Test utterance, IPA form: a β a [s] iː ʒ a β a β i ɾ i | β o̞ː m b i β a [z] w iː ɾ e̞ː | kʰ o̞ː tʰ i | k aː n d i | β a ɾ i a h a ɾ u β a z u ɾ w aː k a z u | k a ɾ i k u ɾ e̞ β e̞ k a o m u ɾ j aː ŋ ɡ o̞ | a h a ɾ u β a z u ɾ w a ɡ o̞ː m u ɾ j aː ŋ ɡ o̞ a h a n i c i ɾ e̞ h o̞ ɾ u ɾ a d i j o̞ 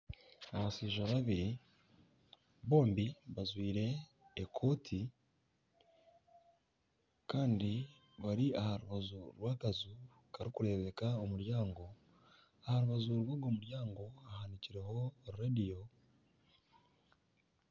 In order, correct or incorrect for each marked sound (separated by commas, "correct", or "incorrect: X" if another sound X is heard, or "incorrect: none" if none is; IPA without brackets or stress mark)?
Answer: correct, correct